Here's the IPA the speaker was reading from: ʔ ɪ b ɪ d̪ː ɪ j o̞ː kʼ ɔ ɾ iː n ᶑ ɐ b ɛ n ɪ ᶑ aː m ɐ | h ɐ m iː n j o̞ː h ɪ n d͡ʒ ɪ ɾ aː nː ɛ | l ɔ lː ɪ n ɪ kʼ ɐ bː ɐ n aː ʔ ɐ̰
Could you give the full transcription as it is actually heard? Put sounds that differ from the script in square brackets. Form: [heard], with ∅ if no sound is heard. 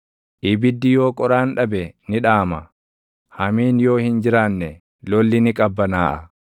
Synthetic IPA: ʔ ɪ b ɪ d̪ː ɪ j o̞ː kʼ ɔ ɾ [aː] n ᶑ ɐ b ɛ n ɪ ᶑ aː m ɐ | h ɐ m iː n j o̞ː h ɪ n d͡ʒ ɪ ɾ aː nː ɛ | l ɔ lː ɪ n ɪ kʼ ɐ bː ɐ n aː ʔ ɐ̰